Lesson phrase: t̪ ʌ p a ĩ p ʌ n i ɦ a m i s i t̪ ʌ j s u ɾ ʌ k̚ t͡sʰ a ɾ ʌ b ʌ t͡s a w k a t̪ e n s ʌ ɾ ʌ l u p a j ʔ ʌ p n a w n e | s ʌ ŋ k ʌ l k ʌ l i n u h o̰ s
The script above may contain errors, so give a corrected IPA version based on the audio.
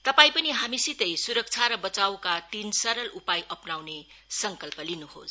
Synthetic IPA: t̪ ʌ p a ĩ p ʌ n i ɦ a m i s i t̪ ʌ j s u ɾ ʌ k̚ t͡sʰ a ɾ ʌ b ʌ t͡s a w k a t̪ i n s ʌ ɾ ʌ l u p a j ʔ ʌ p n a w n e | s ʌ ŋ k ʌ l p ʌ l i n u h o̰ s